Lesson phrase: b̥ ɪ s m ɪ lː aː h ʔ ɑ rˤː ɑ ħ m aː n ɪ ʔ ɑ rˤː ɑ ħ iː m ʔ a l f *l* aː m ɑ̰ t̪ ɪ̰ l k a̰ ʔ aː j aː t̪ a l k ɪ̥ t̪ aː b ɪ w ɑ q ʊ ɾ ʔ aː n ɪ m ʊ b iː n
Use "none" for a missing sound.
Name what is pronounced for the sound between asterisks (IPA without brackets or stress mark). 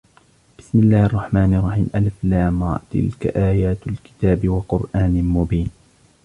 l